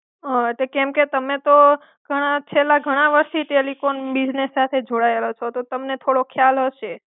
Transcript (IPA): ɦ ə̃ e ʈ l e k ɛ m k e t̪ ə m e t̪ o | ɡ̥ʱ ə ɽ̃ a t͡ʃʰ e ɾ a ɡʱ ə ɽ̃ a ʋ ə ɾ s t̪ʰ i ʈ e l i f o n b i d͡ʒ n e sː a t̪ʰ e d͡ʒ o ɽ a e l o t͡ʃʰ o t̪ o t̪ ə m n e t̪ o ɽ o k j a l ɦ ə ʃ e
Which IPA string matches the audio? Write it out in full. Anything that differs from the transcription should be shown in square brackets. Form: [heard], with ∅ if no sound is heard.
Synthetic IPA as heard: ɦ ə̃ e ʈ l e k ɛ m k e t̪ ə m e t̪ o | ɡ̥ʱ ə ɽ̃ a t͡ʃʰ e [l] a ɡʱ ə ɽ̃ a ʋ ə ɾ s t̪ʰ i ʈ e l i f o n b i d͡ʒ n e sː a t̪ʰ e d͡ʒ o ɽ a e l o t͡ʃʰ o t̪ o t̪ ə m n e [t̪ʰ] o ɽ o [kʰ] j a l ɦ ə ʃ e